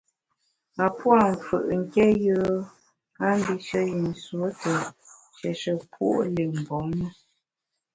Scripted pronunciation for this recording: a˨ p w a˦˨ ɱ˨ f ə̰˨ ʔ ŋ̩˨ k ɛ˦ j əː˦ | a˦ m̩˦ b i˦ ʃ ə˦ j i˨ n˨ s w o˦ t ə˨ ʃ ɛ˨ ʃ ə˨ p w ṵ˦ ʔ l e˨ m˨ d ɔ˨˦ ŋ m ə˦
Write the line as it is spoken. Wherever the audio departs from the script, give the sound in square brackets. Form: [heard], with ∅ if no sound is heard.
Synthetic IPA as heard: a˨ p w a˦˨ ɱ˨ f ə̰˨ ʔ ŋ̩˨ k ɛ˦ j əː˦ | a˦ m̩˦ b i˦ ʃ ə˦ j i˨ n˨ s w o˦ t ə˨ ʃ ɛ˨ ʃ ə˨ p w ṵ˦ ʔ l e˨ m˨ [b] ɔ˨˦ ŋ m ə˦